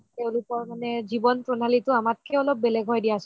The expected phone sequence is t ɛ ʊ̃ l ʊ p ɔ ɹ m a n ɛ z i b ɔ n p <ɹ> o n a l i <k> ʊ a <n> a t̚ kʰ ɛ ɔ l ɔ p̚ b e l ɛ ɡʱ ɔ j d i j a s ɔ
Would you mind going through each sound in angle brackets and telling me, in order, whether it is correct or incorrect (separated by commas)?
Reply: correct, incorrect, incorrect